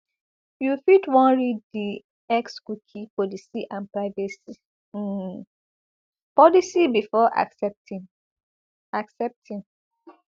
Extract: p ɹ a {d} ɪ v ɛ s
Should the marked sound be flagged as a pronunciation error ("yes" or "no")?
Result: yes